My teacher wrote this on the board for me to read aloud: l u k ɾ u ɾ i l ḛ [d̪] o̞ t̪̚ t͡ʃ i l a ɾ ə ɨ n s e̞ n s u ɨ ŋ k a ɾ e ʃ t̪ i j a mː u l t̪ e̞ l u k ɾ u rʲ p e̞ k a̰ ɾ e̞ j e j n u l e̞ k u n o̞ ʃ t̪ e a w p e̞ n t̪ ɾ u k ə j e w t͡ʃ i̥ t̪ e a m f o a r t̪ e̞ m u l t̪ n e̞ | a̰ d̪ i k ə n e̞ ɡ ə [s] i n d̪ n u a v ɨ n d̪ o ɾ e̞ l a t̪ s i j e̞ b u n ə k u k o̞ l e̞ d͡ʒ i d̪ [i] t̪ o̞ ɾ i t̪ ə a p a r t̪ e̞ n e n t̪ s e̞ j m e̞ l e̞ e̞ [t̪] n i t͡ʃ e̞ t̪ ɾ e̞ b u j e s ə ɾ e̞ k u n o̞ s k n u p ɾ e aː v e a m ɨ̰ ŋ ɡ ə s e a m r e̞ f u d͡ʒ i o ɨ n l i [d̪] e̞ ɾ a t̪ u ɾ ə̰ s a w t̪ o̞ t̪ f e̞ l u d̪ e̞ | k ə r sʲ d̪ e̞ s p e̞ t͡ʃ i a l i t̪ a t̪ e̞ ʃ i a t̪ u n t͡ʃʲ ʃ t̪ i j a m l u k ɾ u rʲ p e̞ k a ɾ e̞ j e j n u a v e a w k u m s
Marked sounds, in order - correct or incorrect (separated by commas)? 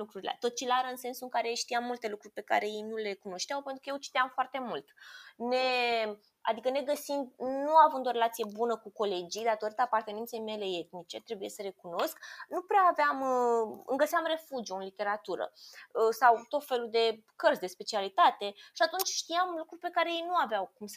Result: incorrect, correct, incorrect, correct, incorrect